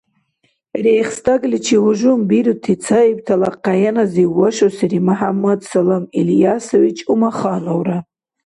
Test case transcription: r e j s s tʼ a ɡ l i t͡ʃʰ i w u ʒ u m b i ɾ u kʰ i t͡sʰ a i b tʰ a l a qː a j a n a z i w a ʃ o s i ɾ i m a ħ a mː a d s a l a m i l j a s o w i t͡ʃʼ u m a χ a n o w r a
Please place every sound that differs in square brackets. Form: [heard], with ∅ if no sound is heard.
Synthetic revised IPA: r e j [χ] s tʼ a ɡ l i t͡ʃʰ i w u ʒ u m b i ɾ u [tʰ] i t͡sʰ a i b tʰ a l a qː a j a n a z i w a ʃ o s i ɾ i m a ħ a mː a d s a l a m i l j a s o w i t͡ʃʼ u m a χ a n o w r a